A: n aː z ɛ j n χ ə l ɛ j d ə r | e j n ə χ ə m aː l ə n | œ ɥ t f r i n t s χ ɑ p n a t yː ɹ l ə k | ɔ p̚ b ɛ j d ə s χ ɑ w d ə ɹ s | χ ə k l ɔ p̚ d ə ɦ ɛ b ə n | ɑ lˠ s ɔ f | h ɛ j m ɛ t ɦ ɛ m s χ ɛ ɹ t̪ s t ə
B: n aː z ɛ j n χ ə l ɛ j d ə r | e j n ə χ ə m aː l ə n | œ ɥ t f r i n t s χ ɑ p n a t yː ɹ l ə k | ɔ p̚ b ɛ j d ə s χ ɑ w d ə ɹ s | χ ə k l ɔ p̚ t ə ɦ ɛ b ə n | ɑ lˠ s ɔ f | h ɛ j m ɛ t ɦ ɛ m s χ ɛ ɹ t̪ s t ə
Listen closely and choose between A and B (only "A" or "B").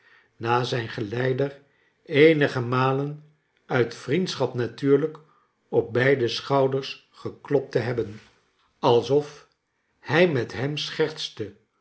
B